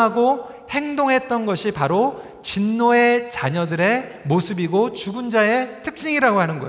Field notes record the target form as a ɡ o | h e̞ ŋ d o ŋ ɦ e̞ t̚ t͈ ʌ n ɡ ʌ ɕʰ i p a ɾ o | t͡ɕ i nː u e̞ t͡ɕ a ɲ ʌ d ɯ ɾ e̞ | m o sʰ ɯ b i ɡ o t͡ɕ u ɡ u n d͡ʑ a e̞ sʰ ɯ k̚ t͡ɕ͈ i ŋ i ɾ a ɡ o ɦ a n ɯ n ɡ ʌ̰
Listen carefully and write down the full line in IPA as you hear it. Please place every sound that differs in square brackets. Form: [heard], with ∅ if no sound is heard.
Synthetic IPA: a ɡ o | h e̞ ŋ d o ŋ ɦ e̞ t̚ t͈ ʌ n ɡ ʌ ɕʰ i p a ɾ o | t͡ɕ i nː [o] e̞ t͡ɕ a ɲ ʌ d ɯ ɾ e̞ | m o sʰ ɯ b i ɡ o t͡ɕ u ɡ u n d͡ʑ a e̞ [tʰ] ɯ k̚ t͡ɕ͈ i ŋ i ɾ a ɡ o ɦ a n ɯ n ɡ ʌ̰